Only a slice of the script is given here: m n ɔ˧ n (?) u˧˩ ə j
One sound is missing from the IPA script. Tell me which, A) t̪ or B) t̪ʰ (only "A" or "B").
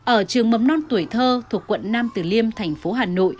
A